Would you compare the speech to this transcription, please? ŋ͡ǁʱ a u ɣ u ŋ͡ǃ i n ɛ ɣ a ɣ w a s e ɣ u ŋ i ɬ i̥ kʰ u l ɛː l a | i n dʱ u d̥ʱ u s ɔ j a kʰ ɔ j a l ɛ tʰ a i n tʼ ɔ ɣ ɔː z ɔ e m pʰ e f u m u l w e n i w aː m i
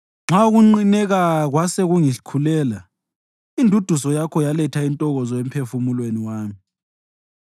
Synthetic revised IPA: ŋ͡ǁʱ a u ɣ u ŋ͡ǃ i n ɛ ɣ a ɣ w a s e ɣ u ŋ i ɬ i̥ kʰ u l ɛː l a | i n dʱ u d̥ʱ u s ɔ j a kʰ ɔ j a l ɛ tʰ a i n tʼ ɔ ɣ ɔ z ɔ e m pʰ e f u m u l w e n i w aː m i